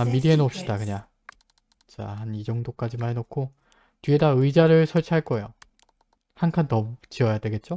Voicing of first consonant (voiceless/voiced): voiced